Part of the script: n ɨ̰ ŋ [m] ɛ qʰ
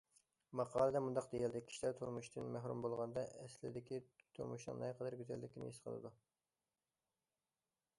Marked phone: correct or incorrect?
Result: incorrect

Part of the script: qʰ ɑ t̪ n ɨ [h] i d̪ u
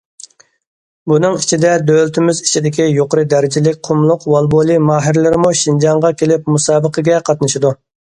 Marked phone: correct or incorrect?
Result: incorrect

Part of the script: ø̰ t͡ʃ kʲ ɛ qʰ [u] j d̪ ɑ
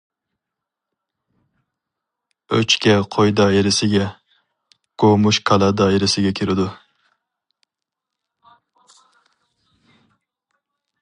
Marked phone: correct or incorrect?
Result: incorrect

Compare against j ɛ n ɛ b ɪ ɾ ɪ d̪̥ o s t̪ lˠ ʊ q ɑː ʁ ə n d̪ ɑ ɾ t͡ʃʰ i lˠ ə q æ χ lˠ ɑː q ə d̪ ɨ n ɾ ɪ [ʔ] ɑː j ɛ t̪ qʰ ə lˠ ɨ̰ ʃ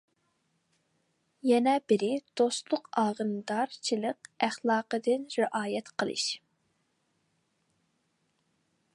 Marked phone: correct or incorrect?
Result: correct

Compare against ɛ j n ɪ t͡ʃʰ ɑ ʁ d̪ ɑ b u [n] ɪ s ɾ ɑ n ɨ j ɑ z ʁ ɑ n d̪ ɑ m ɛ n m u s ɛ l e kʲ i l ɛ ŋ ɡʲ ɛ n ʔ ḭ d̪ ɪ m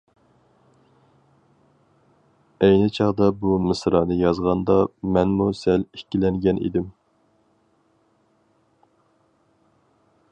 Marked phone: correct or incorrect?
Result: incorrect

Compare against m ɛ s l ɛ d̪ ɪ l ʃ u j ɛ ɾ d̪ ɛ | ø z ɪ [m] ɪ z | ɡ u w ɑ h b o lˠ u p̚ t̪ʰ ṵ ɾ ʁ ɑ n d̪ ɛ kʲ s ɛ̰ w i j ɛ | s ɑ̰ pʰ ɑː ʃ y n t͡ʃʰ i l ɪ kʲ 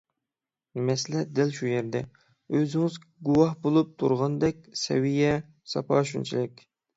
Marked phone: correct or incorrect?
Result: incorrect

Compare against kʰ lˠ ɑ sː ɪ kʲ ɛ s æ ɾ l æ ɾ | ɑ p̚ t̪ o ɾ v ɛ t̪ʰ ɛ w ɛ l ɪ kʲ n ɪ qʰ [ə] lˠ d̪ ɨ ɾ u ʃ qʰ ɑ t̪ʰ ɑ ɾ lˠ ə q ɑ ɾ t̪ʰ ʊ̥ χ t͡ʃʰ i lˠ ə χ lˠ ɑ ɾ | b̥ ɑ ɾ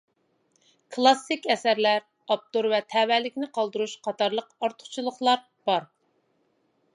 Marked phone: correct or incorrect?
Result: incorrect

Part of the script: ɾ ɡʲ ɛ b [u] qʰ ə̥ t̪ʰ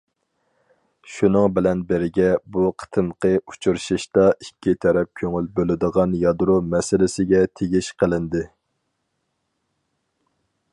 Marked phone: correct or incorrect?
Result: correct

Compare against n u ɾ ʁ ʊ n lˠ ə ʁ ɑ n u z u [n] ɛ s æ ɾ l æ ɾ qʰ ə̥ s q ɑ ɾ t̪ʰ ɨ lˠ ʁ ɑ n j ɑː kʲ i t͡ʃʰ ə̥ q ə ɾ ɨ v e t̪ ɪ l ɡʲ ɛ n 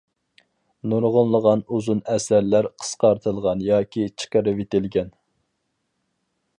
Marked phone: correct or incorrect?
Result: correct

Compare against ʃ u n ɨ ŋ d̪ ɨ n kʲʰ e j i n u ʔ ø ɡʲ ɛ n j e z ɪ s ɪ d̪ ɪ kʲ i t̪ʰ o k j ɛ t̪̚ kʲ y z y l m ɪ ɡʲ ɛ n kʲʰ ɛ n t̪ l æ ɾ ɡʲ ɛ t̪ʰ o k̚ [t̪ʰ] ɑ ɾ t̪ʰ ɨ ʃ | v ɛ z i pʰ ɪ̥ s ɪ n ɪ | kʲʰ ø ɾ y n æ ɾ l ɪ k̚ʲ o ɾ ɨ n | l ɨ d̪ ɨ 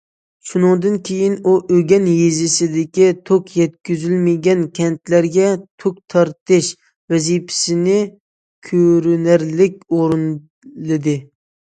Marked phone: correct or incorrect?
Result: correct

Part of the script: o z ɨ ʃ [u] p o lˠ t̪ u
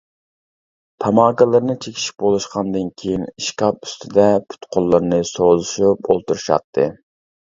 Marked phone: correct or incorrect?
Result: correct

